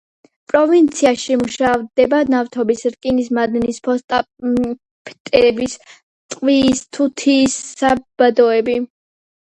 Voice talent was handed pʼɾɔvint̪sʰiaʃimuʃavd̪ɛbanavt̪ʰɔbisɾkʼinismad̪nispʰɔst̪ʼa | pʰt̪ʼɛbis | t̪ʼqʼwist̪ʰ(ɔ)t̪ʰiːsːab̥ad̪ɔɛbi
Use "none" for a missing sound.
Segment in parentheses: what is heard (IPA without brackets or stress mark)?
u